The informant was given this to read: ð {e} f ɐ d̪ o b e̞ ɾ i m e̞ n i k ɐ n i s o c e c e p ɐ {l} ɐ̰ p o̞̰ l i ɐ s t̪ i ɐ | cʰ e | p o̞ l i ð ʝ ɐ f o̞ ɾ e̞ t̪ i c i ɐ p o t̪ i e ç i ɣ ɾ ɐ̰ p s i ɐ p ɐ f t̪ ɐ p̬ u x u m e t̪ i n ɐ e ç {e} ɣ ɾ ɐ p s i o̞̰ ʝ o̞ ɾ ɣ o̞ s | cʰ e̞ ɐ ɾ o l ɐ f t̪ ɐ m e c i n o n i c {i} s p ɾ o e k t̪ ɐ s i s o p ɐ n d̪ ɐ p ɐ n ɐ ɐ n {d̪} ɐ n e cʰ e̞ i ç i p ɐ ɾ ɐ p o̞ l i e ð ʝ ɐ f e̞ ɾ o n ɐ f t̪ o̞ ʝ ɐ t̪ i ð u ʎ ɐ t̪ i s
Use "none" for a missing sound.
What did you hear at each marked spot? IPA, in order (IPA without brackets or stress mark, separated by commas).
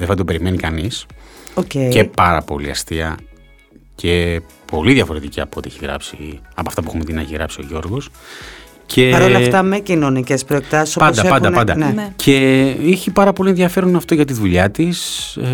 e, ɾ, i, e, d̪